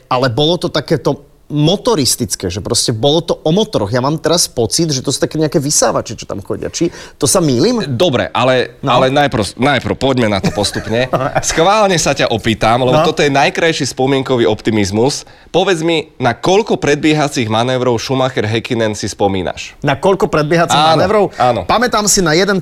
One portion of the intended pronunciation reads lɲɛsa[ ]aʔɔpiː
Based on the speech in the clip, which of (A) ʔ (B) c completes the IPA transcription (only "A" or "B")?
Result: B